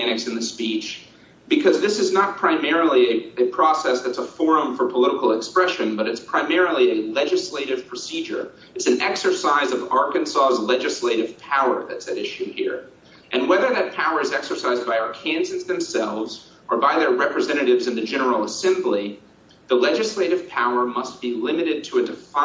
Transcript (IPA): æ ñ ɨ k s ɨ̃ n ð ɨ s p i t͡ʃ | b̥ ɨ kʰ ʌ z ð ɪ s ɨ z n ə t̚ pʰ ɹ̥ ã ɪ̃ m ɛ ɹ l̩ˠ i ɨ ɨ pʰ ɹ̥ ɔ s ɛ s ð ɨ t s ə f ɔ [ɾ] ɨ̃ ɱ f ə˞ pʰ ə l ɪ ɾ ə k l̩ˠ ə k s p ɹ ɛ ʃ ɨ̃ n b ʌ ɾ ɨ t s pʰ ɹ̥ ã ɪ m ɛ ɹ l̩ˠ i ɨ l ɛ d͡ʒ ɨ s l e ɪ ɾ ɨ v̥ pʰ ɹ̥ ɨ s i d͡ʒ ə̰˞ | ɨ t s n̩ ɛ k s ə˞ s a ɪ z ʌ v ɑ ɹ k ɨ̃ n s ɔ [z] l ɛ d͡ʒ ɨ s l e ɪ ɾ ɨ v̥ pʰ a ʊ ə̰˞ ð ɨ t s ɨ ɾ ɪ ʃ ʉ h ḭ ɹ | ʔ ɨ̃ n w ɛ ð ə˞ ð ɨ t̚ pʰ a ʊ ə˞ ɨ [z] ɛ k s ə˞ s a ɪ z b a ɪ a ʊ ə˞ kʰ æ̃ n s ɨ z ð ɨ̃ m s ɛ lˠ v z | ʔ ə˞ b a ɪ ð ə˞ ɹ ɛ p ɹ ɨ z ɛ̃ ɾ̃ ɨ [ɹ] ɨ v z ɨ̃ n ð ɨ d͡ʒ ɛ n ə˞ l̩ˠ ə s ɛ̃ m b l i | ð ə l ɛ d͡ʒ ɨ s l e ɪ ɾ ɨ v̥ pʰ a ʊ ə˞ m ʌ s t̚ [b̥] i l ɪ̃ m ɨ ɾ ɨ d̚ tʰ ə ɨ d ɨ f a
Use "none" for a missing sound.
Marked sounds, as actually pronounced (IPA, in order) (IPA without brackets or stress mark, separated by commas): ɹ, z, z, ɾ, b̥